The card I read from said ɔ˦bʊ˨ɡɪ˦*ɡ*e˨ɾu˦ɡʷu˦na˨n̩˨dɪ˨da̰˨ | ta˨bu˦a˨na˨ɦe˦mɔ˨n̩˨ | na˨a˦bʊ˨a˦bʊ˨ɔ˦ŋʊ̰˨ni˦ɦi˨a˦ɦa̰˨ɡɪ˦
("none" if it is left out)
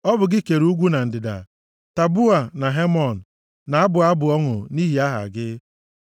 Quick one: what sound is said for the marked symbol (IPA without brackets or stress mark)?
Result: k